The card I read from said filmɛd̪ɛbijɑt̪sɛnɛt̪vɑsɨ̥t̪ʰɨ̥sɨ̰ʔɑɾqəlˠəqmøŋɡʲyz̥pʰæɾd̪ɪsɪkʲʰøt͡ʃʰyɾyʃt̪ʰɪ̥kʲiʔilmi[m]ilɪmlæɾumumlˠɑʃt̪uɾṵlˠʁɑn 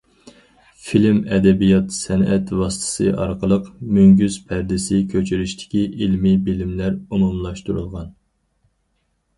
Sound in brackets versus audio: incorrect: b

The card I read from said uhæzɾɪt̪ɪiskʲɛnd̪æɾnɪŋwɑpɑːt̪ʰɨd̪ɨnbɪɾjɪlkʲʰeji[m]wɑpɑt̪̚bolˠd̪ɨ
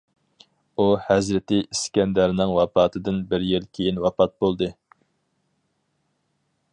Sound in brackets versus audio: incorrect: n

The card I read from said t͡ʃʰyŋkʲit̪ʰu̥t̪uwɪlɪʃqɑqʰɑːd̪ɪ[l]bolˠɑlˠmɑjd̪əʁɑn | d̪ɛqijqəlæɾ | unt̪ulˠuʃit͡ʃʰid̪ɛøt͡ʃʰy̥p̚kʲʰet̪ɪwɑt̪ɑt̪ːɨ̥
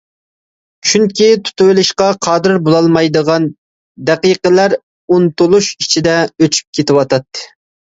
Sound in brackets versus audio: incorrect: ɾ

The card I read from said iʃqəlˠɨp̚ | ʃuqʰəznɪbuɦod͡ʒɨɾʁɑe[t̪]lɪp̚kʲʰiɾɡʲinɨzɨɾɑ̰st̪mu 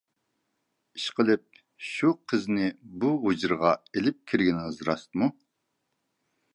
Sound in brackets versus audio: incorrect: none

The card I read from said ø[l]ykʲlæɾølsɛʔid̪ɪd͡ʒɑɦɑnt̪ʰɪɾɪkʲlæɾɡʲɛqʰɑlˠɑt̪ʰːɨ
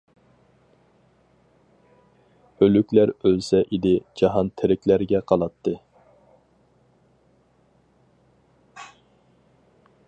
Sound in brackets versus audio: correct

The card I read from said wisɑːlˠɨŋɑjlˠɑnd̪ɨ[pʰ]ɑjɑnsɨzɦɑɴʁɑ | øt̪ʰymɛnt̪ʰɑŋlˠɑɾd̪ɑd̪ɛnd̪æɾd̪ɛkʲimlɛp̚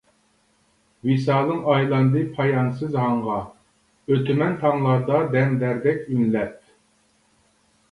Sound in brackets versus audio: correct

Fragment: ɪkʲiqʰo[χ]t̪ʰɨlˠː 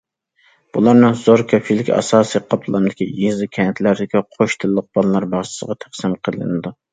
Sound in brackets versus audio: incorrect: ʃ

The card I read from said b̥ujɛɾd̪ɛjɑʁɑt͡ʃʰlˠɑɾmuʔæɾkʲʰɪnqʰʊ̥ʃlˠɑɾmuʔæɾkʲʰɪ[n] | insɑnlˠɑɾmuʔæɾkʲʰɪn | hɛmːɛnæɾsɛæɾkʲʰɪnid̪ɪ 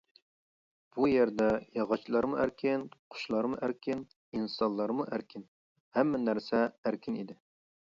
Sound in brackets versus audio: correct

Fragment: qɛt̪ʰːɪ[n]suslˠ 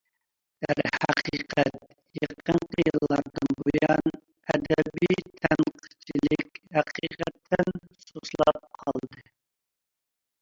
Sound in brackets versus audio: correct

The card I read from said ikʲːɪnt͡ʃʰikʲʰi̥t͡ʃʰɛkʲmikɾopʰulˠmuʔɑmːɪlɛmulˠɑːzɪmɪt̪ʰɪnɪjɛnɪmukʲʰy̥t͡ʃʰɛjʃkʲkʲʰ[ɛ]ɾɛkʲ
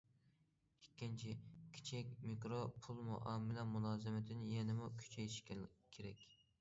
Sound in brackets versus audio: incorrect: e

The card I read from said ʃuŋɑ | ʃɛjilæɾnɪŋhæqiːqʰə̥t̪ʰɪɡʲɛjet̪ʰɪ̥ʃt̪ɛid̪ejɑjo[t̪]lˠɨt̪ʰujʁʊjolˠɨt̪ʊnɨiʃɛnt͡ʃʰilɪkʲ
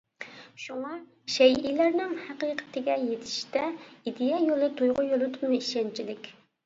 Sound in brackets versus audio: incorrect: none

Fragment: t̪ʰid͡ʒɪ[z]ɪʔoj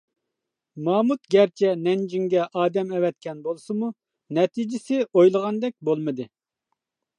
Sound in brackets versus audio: incorrect: s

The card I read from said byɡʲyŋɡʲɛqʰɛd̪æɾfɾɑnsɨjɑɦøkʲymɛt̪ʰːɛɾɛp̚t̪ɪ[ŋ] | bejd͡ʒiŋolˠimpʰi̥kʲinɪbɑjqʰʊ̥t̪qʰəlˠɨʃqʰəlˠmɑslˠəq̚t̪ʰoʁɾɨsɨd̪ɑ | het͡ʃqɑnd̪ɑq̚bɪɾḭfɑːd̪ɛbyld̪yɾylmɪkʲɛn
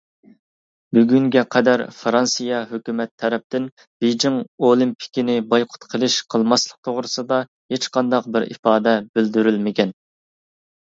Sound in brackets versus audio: incorrect: n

